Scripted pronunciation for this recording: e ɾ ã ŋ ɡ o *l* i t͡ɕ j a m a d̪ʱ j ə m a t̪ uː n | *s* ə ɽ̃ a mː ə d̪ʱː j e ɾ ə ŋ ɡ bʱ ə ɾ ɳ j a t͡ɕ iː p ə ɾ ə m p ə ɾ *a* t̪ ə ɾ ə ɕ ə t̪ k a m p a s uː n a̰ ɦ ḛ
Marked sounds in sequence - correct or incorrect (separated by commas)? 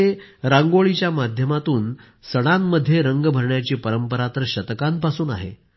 incorrect, correct, correct